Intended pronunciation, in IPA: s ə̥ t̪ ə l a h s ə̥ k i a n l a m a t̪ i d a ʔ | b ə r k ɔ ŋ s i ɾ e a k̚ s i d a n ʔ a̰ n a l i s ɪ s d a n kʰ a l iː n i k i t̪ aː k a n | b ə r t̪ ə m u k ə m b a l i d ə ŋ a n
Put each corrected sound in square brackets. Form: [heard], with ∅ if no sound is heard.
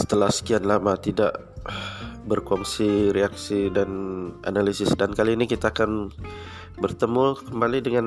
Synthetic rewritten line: s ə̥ t̪ ə l a h s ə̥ k i a n l a m a t̪ i d a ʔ | b ə r k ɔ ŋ s i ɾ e a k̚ s i d a n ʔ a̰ n a l i s ɪ s d a n [k] a l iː n i k i t̪ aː k a n | b ə r t̪ ə m u k ə m b a l i d ə ŋ a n